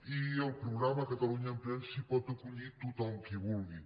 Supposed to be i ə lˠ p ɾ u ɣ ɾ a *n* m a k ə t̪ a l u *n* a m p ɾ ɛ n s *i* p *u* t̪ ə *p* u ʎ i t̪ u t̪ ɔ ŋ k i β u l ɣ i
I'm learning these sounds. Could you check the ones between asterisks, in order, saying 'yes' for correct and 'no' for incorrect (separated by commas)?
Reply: no, no, yes, no, no